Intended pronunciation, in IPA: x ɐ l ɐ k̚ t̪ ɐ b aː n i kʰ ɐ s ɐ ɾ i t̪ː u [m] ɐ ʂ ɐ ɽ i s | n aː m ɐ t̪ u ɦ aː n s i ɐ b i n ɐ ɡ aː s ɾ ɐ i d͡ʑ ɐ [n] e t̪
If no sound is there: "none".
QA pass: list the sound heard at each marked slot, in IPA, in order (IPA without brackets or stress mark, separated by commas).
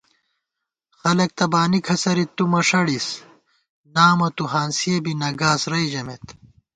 m, m